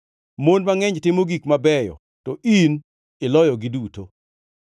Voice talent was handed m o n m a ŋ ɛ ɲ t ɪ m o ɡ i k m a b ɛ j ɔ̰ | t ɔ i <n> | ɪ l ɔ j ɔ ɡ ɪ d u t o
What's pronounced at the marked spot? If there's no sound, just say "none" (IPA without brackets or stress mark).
n